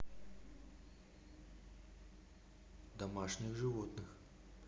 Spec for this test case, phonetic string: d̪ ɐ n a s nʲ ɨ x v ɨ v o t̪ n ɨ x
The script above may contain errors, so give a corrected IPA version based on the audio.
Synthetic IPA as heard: d̪ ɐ m a ʂ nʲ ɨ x ʐ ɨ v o t̪ n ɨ x

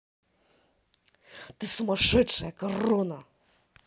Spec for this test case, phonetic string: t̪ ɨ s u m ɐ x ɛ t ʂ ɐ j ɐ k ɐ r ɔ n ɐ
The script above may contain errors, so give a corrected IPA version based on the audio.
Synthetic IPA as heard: t̪ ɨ s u m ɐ ʂ ɛ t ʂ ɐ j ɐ k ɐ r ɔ n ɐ

